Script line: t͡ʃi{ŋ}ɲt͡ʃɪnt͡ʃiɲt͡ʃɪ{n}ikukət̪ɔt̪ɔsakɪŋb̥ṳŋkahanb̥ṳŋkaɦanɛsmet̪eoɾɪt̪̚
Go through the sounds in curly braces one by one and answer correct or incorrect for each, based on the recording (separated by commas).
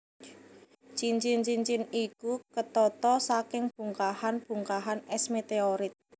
incorrect, correct